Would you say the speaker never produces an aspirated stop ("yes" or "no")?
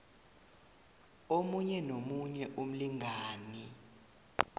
yes